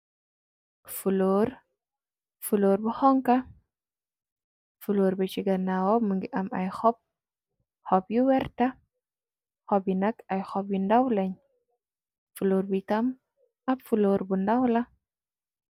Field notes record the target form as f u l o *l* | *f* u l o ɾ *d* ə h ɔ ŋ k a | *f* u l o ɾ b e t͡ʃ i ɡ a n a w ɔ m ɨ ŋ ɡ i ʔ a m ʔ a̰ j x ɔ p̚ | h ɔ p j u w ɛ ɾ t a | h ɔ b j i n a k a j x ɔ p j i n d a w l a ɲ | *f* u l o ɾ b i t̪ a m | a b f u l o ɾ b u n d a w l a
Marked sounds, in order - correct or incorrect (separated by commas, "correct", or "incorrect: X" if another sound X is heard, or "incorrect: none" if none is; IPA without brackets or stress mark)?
incorrect: ɾ, correct, incorrect: b, correct, correct